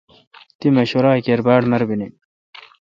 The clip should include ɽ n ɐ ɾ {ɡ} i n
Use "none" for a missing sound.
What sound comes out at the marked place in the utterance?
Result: b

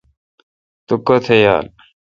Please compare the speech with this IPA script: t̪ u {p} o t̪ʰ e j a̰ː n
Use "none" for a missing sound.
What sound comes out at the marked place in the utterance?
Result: k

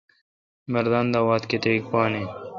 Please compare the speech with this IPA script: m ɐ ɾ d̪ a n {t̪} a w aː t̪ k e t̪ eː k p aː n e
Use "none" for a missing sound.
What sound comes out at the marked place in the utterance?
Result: d̪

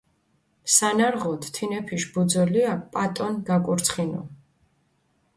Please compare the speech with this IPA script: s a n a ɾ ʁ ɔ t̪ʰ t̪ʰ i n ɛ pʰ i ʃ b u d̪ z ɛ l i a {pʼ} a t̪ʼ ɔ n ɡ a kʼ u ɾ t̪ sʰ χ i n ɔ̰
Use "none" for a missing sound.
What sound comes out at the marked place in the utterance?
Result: pʼ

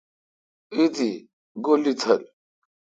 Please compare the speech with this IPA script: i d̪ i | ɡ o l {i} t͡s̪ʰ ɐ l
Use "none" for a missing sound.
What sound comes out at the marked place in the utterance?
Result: i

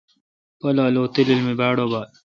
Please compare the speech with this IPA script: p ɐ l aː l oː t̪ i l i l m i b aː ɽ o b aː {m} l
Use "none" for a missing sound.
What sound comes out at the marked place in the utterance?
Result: none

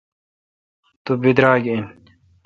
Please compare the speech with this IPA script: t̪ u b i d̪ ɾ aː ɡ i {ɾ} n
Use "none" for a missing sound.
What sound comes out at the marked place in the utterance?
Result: none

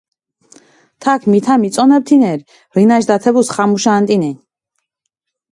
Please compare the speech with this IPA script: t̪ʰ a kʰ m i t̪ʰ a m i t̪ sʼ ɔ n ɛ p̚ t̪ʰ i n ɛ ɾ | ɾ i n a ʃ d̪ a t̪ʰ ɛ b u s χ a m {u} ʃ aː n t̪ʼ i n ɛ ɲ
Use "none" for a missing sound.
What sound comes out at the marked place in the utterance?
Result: u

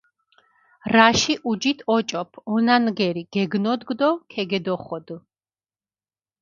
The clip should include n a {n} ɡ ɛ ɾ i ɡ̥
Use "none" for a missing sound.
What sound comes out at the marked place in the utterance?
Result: n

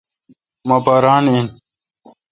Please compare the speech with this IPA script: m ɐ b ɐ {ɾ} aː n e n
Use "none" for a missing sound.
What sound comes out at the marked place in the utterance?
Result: ɾ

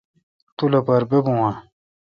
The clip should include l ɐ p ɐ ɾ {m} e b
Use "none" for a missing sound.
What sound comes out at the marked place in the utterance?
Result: b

